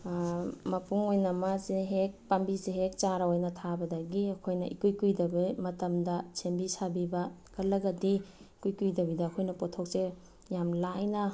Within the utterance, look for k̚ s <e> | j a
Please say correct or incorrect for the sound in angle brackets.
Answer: correct